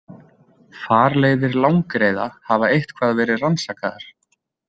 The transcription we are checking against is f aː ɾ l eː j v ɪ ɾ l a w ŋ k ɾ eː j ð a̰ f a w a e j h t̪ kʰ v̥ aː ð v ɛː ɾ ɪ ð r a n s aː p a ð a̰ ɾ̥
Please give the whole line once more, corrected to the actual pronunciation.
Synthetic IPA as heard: f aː ɾ l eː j ð ɪ ɾ l a w ŋ k ɾ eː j ð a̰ h a v a e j h t̪ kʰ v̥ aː ð v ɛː ɾ ɪ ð r a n s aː k a ð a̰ ɾ̥